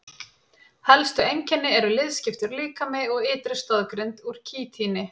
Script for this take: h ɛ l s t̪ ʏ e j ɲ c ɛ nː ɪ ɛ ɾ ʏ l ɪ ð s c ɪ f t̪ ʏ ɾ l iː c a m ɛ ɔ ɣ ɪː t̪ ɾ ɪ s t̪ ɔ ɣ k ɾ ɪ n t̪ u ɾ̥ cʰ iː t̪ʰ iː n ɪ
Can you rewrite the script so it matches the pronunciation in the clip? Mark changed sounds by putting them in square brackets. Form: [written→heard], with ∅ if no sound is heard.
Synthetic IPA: h ɛ l s t̪ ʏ e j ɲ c ɛ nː ɪ ɛ ɾ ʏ l ɪ ð s c ɪ f t̪ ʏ ɾ l iː [c→k] a m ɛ ɔ ɣ ɪː t̪ ɾ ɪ s t̪ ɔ [ɣ→ð] k ɾ ɪ n t̪ u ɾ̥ cʰ iː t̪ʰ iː n ɪ